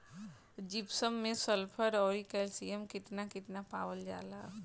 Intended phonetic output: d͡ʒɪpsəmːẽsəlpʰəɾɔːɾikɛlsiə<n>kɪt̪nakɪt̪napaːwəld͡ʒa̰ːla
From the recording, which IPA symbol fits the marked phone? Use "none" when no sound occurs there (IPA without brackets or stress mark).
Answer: m